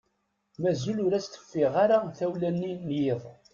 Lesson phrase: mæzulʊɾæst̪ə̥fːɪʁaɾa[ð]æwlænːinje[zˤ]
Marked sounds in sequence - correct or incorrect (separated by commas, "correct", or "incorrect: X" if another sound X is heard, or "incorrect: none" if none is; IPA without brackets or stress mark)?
incorrect: θ, incorrect: ðˤ